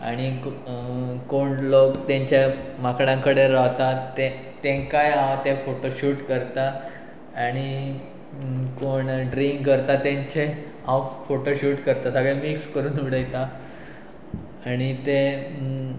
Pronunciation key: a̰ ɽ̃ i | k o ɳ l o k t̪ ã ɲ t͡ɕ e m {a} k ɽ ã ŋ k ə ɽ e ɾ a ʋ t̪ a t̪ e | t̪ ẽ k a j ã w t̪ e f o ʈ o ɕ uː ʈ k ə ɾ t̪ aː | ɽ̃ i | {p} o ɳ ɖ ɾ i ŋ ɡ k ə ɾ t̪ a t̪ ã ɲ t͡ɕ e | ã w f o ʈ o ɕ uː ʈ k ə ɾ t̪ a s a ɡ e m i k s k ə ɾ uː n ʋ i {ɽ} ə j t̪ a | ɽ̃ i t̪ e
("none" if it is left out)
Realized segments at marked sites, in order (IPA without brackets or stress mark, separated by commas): a, k, ɽ